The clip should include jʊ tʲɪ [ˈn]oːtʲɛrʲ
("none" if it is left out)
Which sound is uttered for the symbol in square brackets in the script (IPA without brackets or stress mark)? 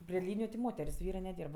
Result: m